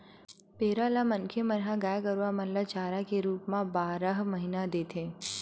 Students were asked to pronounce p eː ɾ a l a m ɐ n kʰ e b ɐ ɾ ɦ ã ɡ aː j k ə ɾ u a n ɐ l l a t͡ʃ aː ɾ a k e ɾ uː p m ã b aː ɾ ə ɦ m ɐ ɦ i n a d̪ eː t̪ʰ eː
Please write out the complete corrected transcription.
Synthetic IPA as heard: p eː ɾ a l a m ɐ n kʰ e m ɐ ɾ ɦ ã ɡ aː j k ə ɾ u a m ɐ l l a t͡ʃ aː ɾ a k e ɾ uː p m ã b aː ɾ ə ɦ m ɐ ɦ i n a d̪ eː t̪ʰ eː

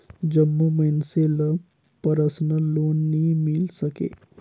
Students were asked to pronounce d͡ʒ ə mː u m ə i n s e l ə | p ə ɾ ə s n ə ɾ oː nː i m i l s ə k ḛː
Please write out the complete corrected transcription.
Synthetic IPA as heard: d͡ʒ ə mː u m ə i n s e l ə | p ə ɾ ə s n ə l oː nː i m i l s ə k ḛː

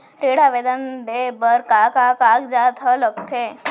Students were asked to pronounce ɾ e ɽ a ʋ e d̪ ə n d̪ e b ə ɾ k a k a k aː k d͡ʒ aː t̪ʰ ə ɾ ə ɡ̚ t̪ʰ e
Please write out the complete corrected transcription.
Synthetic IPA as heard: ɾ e ɽ a ʋ e d̪ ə n d̪ e b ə ɾ k a k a k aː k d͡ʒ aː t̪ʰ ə l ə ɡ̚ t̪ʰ e

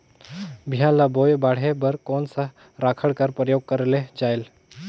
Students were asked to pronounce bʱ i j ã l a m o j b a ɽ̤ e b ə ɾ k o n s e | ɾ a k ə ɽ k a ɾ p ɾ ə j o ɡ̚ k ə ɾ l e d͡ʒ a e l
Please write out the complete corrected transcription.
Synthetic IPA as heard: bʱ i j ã l a b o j b a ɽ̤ e b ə ɾ k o n s a | ɾ a kʰ ə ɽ k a ɾ p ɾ ə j o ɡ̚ k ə ɾ l e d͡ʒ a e l

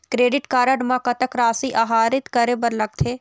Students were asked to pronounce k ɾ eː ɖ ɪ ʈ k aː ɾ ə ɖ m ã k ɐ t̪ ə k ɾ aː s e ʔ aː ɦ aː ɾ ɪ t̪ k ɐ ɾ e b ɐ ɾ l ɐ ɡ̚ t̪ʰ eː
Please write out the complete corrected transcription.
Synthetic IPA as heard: k ɾ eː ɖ ɪ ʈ k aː ɾ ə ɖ m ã k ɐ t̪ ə k ɾ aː s i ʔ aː ɦ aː ɾ ɪ t̪ k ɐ ɾ e b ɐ ɾ l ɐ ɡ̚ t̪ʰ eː

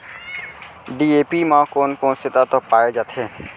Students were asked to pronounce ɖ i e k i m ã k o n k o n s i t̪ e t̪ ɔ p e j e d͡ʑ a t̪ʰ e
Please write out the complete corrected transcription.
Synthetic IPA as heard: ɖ i e p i m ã k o n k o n s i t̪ a t̪ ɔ p a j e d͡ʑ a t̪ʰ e

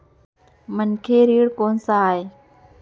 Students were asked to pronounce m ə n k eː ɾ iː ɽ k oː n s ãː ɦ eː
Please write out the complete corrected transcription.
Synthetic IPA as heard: m ə n kʰ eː ɾ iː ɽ k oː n s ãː ɦ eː

